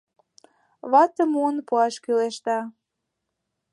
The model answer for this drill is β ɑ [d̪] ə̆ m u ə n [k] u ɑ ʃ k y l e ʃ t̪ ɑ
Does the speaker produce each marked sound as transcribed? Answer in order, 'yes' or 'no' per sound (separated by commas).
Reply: no, no